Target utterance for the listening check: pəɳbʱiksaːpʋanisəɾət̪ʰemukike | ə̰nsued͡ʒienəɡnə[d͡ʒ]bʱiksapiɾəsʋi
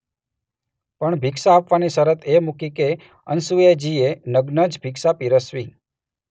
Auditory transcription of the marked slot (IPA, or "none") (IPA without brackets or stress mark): d͡ʒ